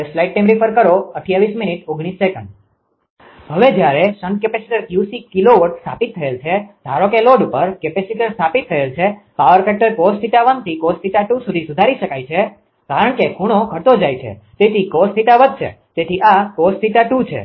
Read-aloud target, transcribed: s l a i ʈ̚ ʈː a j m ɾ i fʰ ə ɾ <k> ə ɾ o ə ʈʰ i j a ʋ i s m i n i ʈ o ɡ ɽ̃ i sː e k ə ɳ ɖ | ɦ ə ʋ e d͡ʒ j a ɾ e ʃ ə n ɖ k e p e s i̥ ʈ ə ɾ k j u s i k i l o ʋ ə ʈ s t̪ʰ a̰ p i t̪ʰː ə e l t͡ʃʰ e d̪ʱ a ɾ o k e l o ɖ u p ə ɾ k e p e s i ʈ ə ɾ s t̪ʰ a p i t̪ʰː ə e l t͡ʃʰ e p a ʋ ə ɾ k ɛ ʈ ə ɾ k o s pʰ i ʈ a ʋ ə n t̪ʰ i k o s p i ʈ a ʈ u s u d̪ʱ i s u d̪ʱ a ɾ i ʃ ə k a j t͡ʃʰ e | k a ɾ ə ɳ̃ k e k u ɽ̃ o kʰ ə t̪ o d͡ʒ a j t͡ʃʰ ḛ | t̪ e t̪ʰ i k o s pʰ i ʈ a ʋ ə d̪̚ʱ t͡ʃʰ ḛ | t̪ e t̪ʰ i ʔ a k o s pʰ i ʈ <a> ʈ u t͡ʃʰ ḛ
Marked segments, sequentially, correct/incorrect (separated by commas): correct, correct